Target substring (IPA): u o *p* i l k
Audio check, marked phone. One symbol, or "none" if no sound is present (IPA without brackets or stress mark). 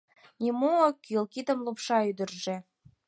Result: k